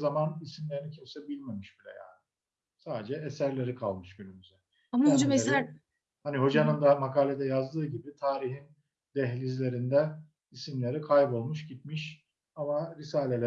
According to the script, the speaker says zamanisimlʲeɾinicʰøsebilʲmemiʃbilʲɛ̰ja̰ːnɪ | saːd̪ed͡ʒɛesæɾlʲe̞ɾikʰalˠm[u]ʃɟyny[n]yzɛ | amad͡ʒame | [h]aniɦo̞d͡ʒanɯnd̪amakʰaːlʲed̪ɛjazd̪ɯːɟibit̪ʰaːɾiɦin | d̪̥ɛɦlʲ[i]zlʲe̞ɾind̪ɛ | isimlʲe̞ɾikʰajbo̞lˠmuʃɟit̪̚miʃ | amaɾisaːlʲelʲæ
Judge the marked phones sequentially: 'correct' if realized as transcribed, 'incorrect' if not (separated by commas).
incorrect, incorrect, correct, correct